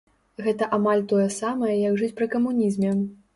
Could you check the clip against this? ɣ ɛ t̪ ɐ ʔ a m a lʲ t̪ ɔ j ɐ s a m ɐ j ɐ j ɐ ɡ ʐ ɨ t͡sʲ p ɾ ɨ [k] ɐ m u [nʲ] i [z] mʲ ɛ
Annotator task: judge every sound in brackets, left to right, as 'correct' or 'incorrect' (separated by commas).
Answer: correct, correct, correct